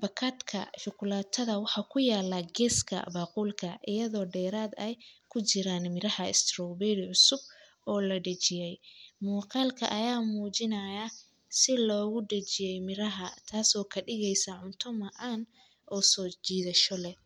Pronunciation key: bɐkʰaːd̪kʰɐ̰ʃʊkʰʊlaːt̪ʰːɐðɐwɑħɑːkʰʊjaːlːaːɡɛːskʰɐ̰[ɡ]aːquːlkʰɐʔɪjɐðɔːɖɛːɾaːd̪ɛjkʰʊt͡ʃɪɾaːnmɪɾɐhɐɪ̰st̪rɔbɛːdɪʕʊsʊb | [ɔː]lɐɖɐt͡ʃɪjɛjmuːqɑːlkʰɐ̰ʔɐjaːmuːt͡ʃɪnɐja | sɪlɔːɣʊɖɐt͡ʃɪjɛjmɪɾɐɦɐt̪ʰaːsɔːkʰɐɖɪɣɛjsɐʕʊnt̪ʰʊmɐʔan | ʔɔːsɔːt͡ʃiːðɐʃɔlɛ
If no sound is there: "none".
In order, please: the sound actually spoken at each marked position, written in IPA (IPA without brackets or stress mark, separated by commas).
b, ɔː